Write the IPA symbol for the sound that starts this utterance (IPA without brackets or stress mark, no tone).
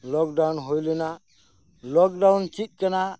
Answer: l